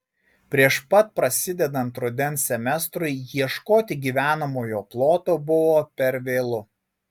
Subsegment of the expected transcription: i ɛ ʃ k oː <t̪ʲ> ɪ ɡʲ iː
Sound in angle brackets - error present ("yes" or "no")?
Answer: no